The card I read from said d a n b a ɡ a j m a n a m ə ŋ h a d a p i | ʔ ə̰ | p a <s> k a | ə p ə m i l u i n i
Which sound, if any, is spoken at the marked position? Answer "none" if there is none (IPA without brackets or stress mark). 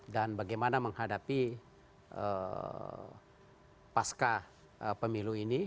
s